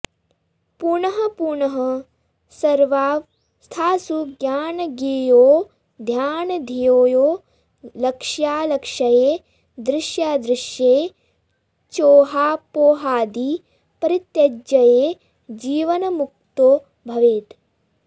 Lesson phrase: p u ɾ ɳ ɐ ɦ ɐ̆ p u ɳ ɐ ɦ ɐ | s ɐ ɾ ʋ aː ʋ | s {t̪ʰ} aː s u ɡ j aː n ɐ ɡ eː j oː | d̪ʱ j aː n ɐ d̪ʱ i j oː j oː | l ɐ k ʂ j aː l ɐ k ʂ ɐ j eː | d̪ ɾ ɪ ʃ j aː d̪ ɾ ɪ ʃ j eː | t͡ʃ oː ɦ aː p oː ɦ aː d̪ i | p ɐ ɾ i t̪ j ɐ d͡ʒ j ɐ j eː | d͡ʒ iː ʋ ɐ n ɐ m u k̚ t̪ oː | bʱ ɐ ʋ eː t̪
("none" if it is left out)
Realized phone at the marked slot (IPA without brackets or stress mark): t̪ʰ